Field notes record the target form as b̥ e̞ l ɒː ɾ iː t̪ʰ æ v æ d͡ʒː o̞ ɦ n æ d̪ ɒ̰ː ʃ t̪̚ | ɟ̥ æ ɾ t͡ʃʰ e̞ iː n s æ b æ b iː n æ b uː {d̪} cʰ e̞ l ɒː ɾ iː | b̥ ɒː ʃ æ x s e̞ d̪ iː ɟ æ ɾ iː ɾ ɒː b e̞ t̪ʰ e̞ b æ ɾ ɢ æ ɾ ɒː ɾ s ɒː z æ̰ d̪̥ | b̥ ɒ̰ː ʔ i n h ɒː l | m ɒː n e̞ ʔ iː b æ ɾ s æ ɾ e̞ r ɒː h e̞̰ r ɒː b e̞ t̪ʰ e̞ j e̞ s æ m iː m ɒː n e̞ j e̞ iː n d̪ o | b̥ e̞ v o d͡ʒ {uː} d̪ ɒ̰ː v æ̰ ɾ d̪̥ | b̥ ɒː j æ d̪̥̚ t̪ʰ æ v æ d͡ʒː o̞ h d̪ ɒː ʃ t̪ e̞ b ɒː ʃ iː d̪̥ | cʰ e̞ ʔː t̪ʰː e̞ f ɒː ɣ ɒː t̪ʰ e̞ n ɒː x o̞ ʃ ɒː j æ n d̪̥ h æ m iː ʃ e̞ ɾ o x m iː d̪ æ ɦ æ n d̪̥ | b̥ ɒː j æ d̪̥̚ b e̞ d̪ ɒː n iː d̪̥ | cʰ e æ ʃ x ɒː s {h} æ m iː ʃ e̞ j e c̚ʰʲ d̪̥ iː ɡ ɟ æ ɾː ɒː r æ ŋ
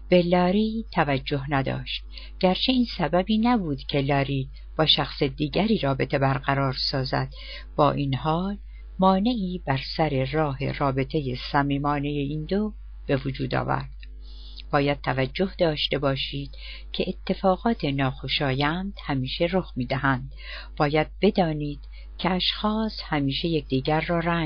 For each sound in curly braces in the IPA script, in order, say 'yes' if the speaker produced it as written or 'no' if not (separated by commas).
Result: yes, yes, yes